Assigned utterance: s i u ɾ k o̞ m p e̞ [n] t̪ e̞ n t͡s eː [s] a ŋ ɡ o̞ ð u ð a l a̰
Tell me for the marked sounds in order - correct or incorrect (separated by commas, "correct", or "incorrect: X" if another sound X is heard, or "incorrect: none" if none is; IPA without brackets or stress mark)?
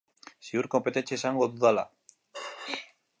incorrect: none, correct